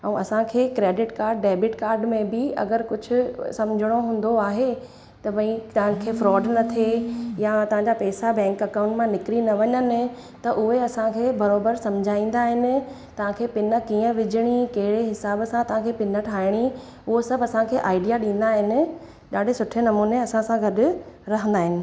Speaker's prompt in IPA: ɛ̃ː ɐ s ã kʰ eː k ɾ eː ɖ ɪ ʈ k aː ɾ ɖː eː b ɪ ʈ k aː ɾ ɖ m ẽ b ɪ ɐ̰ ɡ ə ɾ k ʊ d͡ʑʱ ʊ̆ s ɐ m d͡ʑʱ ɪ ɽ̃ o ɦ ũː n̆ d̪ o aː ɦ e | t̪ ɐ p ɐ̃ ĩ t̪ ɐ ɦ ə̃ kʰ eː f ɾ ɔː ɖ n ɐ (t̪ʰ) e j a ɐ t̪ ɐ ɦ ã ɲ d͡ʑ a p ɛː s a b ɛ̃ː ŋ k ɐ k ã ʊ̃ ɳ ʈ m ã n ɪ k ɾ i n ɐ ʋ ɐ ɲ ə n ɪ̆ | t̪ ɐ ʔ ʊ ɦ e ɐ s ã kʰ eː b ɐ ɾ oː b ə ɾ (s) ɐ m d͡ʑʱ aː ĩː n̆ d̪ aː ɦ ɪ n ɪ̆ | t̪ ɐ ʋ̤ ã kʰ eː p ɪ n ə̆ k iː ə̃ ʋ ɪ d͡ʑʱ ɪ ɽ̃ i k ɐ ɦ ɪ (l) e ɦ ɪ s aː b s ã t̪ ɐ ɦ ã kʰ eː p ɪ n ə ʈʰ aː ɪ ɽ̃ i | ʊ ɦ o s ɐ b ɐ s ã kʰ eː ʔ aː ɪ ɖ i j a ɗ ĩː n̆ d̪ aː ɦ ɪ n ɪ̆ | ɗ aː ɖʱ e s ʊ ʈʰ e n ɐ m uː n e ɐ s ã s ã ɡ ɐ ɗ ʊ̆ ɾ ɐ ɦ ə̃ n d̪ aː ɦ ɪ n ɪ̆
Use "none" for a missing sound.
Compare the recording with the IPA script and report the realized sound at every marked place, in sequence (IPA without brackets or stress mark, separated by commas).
t̪ʰ, s, ɽ